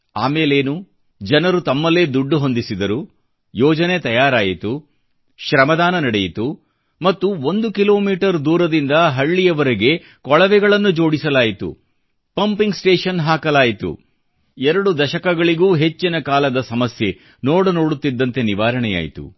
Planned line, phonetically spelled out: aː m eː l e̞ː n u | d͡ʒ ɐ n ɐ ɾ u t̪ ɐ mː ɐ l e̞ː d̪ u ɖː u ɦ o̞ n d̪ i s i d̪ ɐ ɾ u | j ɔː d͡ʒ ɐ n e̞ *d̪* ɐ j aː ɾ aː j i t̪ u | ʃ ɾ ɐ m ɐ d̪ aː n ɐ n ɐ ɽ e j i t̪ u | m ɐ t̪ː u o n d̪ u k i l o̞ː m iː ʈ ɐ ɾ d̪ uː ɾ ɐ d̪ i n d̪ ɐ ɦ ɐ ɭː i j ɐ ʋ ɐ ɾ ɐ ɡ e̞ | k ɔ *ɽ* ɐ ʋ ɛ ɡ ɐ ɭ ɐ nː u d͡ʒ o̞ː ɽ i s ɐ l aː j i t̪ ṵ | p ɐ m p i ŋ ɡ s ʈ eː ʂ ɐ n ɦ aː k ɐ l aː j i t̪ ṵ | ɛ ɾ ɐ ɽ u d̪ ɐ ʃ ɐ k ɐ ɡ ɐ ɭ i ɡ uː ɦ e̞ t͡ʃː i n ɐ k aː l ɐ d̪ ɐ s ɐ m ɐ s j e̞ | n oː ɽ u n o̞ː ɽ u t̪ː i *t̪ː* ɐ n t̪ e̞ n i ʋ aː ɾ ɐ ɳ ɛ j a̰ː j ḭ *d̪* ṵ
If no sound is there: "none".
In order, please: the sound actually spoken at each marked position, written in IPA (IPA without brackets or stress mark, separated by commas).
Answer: t̪, ɭ, d̪ː, t̪